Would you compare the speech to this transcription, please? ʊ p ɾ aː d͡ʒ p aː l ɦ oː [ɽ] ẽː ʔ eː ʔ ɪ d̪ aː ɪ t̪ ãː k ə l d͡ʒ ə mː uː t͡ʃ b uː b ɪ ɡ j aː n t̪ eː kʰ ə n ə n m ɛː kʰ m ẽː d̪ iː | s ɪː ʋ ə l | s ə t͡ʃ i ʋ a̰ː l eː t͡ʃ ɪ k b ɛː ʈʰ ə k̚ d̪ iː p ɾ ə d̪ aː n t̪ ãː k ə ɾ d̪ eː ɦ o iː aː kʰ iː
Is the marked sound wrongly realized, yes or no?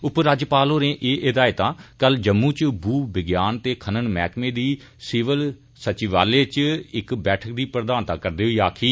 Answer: yes